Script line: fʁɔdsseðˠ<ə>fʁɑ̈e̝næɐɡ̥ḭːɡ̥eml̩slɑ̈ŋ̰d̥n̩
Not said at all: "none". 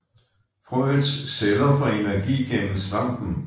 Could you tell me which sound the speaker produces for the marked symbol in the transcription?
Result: ɐ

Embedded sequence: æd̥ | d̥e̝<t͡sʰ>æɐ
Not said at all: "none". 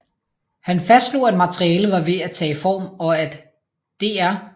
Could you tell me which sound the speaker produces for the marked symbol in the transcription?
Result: none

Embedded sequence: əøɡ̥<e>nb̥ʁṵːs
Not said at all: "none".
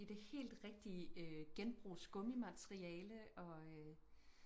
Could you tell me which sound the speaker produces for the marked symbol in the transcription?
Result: e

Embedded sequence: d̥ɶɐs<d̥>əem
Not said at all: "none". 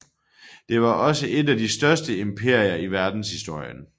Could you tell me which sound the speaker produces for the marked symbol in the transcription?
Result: d̥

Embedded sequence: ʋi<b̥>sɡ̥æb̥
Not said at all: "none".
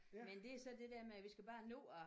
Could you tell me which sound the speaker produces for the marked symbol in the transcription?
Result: none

